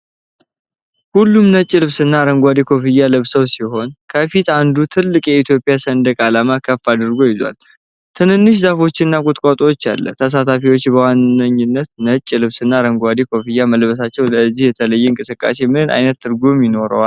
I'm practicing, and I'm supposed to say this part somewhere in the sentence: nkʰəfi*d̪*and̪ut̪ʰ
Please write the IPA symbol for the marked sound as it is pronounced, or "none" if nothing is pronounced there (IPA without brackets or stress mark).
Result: t̪